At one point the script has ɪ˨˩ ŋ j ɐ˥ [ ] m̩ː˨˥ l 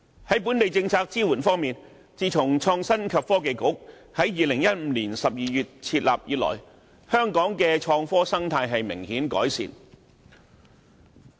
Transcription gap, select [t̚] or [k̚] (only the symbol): t̚